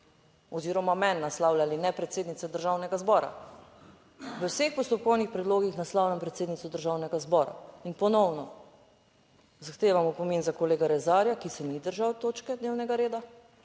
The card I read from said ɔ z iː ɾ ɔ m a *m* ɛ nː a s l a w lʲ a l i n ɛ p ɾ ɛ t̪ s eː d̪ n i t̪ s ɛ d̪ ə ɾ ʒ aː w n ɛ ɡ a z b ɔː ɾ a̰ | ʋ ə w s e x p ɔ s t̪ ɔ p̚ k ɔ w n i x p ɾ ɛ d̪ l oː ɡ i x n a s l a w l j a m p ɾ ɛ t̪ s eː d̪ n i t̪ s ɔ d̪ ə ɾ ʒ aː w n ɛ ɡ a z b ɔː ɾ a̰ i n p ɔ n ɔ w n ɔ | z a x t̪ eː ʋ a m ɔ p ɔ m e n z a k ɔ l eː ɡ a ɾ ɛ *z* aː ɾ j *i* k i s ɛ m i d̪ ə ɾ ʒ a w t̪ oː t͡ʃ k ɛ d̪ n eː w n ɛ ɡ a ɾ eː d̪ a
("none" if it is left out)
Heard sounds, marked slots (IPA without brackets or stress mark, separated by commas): m, z, a